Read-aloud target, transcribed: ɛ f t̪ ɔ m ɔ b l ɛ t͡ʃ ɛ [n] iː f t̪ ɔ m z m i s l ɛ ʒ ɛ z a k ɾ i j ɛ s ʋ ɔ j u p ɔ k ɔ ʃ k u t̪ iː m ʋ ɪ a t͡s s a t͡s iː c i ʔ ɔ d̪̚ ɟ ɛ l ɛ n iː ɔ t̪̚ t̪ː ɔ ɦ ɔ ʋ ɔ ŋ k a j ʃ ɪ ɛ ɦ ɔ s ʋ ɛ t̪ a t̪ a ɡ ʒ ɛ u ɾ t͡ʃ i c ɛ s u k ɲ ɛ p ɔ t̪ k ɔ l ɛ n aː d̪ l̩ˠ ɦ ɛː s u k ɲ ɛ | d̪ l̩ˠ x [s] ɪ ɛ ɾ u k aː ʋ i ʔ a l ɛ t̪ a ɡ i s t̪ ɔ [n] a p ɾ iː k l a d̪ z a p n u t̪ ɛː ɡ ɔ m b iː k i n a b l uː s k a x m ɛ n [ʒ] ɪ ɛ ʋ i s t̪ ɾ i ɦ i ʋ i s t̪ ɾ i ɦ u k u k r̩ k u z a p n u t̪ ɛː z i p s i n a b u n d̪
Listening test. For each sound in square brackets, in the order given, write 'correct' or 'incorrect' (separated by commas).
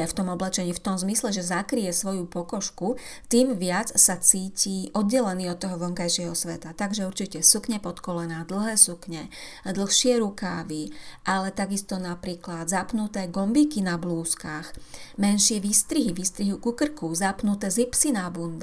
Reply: incorrect, incorrect, correct, incorrect